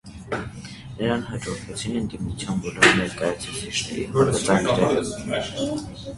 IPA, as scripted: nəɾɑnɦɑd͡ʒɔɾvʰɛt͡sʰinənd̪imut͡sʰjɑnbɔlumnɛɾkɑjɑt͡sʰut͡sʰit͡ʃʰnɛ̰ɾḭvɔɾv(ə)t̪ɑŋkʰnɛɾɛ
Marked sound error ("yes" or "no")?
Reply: no